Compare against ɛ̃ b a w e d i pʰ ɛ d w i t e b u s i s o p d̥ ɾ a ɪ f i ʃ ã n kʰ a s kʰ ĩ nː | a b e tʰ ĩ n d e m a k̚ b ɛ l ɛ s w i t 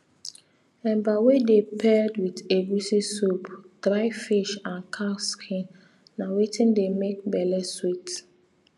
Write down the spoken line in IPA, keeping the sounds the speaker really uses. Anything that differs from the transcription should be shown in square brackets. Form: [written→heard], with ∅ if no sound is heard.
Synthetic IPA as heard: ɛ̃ b a w e d [i→e] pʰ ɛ d w i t e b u s i s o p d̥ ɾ a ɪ f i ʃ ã n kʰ a s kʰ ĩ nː | a [b→w] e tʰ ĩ n d e m [a→e] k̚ b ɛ l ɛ s w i t

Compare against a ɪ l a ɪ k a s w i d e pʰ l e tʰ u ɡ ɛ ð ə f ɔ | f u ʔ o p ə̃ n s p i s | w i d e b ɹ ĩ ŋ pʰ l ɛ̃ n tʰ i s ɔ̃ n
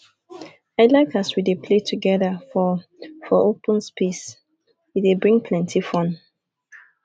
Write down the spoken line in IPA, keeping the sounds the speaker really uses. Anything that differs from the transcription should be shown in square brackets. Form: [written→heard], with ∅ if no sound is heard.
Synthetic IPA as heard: a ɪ l a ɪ k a s w i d e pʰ l e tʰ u ɡ ɛ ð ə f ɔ | f [u→ɔ] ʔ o p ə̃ n s p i s | w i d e b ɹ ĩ ŋ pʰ l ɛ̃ n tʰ i [s→f] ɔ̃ n

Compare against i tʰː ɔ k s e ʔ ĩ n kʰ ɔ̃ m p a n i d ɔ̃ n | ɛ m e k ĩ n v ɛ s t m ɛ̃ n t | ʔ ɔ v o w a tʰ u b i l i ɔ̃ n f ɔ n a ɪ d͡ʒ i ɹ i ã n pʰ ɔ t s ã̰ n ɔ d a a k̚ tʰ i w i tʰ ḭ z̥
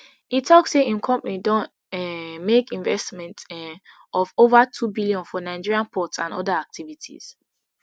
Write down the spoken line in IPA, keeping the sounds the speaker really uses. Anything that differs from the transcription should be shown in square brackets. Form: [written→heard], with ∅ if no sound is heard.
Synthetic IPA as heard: i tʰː ɔ k s e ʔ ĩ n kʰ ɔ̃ m p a n i d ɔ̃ n | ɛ m e k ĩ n v ɛ s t m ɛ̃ n t | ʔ ɔ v o [w→v] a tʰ u b i l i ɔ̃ n f ɔ n a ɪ d͡ʒ i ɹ i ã n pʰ ɔ t s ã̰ n ɔ d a a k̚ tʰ i [w→v] i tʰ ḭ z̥

